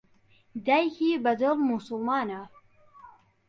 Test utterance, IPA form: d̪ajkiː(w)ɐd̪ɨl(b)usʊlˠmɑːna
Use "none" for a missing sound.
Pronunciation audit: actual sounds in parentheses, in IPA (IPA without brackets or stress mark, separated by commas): b, m